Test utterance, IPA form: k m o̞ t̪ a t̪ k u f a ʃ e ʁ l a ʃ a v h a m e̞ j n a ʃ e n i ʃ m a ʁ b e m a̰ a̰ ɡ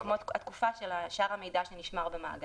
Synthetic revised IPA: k m o̞ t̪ a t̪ k u f a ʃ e l a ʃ a ʁ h a m e̞ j d a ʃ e n i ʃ m a ʁ b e m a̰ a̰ ɡ